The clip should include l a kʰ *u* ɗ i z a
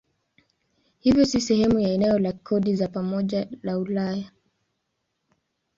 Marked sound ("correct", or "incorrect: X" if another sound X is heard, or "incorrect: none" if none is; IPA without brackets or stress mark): incorrect: ɔ